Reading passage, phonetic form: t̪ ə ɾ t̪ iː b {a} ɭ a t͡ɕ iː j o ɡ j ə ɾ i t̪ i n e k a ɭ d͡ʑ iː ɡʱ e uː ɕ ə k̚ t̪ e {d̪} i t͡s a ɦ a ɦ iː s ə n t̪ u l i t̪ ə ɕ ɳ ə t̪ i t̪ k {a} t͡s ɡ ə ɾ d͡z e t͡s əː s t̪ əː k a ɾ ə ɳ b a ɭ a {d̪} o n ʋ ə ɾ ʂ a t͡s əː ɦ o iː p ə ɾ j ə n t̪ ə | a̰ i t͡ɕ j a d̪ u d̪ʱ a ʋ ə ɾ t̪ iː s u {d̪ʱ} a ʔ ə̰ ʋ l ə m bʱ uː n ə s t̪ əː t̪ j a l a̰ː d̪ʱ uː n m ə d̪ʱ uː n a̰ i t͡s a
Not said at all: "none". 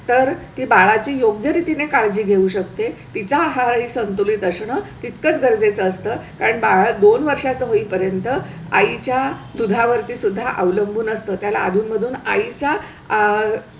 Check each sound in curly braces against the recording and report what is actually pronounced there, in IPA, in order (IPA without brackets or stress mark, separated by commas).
a, t̪, ə, d̪, d̪ʱː